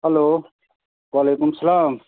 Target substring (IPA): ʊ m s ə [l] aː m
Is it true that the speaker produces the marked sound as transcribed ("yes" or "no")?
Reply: yes